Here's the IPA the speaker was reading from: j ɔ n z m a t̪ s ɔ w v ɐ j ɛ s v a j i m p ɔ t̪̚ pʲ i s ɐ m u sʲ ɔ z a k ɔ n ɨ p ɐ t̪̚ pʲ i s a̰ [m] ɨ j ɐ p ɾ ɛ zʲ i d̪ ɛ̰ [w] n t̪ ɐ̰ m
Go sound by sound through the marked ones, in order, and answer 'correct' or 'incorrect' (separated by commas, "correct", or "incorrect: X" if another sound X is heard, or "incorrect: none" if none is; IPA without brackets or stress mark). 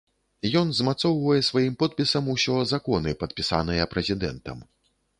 incorrect: n, incorrect: none